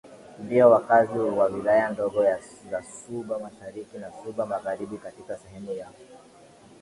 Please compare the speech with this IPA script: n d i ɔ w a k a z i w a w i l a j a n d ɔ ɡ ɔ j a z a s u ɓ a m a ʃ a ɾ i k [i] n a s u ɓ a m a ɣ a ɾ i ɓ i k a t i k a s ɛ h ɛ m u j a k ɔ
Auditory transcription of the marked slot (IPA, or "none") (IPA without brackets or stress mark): i